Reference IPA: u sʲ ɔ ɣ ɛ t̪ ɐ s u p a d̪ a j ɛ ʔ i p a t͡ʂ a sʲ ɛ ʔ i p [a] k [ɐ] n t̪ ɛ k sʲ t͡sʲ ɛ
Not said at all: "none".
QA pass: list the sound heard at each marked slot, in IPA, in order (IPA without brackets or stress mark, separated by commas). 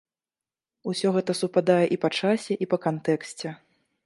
ɐ, a